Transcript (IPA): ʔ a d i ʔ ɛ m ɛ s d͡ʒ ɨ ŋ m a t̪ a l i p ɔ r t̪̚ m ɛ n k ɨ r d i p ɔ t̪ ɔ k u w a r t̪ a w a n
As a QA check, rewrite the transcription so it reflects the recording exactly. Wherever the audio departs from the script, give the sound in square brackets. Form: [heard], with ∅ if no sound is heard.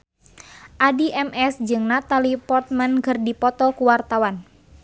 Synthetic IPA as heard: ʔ a d i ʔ ɛ m ɛ s d͡ʒ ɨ ŋ [n] a t̪ a l i p ɔ r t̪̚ m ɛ n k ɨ r d i p ɔ t̪ ɔ k u w a r t̪ a w a n